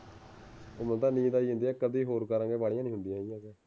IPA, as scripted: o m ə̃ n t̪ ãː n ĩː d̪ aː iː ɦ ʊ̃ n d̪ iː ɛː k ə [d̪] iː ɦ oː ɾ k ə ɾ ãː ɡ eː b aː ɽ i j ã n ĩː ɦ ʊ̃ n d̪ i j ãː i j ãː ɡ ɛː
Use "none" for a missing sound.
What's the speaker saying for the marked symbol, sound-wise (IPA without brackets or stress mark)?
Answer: d̪